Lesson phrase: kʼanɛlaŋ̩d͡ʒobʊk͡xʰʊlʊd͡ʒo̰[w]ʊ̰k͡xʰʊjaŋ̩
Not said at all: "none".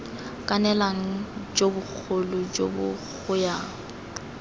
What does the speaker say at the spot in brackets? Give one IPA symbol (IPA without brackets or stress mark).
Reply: b